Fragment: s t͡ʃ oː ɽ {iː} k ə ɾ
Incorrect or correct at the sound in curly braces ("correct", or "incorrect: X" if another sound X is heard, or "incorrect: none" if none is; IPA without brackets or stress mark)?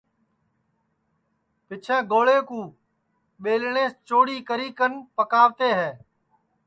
correct